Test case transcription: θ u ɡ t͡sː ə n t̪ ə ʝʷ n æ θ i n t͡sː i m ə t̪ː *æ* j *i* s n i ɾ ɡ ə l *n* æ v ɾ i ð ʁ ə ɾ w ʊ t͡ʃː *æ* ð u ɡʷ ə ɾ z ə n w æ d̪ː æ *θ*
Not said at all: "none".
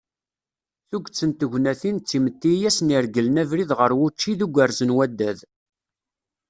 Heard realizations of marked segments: i, æ, n, i, ð

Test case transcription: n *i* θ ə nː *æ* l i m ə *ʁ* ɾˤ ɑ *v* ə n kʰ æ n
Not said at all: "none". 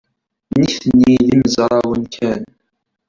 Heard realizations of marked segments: i, i, z, w

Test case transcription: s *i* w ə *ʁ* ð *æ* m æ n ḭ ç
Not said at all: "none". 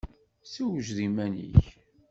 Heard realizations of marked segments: i, ʒ, i

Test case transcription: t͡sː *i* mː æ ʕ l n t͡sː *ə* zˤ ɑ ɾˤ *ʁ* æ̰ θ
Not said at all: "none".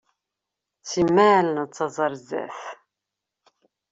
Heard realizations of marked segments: i, ɑ, z

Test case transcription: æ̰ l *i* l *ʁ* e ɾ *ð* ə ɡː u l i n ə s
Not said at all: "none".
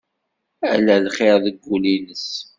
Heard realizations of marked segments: æ, χ, ð

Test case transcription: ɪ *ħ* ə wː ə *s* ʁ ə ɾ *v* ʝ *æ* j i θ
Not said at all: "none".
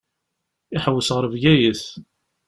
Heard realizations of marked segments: ħ, s, v, æ

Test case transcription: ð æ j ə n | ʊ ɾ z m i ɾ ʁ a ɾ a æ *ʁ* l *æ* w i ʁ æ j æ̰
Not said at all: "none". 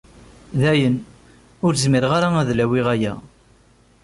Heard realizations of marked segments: ð, æ

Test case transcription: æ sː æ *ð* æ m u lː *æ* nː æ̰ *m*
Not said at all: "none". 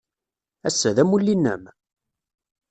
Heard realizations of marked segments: ð, i, m

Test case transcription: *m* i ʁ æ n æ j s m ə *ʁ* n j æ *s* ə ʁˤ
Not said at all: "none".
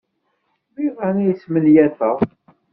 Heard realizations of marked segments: m, none, θ

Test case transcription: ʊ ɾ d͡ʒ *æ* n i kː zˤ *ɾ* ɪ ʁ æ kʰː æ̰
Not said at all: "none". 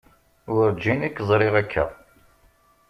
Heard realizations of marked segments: i, ɾ

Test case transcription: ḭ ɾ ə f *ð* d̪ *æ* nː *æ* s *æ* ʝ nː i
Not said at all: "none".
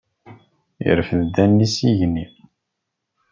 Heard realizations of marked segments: ð, æ, i, i

